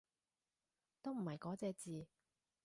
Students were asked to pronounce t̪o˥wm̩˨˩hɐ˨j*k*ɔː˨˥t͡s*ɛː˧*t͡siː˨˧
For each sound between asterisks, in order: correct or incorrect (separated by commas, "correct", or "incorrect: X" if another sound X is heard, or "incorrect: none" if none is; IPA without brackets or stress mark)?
correct, correct